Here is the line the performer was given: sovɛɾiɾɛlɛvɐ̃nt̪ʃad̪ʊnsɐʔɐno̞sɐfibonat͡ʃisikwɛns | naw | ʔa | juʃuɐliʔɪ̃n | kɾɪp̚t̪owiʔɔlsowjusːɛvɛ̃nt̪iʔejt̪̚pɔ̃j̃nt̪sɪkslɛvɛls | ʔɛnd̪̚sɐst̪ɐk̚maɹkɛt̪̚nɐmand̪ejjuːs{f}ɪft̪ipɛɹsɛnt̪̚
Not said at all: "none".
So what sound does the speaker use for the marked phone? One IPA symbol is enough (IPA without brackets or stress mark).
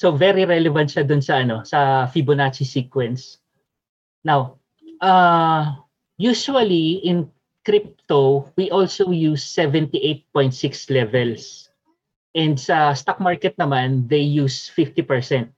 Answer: f